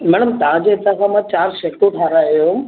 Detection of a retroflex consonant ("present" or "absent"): present